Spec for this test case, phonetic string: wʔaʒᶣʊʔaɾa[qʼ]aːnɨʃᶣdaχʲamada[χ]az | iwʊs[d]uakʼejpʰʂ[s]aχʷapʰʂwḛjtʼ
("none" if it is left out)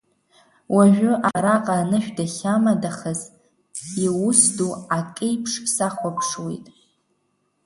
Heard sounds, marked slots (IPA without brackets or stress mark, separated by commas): qʼ, χ, d, s